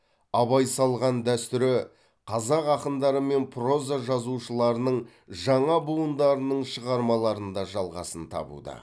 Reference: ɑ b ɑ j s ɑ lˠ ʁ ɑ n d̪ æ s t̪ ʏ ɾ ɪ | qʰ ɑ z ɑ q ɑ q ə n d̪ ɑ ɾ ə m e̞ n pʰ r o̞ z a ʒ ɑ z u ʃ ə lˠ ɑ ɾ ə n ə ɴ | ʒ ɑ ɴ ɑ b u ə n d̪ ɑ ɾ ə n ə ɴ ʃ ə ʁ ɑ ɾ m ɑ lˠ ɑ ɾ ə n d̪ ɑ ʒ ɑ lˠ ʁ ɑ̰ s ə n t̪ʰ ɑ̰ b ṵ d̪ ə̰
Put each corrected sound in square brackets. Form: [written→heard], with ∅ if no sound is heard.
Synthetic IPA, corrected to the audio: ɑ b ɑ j s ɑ lˠ ʁ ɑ n d̪ æ s t̪ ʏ ɾ ɪ | qʰ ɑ z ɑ q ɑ q ə n d̪ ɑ ɾ ə m e̞ n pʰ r o̞ z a ʒ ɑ z u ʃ ə lˠ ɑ ɾ ə n ə ɴ | ʒ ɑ ɴ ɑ b u ə n d̪ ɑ ɾ ə n ə ɴ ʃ ə ʁ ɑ ɾ m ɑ lˠ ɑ ɾ ə n d̪ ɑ ʒ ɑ lˠ ʁ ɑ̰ s ə n t̪ʰ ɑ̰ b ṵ d̪ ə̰